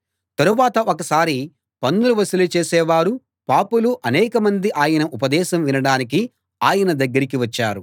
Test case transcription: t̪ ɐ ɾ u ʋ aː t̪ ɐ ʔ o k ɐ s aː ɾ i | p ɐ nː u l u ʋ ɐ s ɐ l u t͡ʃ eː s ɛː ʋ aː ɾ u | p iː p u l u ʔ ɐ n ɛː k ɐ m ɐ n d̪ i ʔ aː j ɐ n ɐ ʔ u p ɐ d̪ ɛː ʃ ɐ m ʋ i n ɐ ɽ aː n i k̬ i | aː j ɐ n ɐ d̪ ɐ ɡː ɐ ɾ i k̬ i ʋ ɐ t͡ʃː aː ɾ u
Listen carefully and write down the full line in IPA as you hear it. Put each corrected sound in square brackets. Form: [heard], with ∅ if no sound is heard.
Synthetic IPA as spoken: t̪ ɐ ɾ u ʋ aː t̪ ɐ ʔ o k ɐ s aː ɾ i | p ɐ nː u l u ʋ ɐ s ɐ l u t͡ʃ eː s ɛː ʋ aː ɾ u | p [aː] p u l u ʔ ɐ n ɛː k ɐ m ɐ n d̪ i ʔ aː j ɐ n ɐ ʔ u p ɐ d̪ ɛː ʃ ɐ m ʋ i n ɐ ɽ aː n i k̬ i | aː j ɐ n ɐ d̪ ɐ ɡː ɐ ɾ i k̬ i ʋ ɐ t͡ʃː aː ɾ u